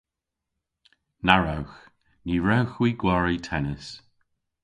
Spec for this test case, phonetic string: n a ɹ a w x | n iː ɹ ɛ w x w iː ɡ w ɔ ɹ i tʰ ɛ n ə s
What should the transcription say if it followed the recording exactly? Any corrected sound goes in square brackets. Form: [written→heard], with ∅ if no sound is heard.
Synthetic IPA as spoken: n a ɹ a w x | n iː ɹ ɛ w x w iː ɡ w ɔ ɹ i tʰ ɛ n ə s